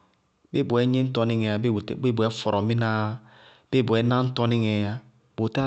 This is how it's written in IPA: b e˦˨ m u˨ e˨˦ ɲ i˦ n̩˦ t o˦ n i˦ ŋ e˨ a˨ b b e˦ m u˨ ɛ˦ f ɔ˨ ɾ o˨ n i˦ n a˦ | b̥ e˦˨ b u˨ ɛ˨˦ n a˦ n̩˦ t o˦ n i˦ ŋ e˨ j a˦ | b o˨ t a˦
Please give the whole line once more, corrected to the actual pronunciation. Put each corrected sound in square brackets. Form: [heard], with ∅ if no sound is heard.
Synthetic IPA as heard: b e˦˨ [b] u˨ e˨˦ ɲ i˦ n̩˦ t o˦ n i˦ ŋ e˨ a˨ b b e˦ [b] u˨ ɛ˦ f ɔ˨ ɾ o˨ [m] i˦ n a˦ | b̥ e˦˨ b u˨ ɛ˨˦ n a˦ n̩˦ t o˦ n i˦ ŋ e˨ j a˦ | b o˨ t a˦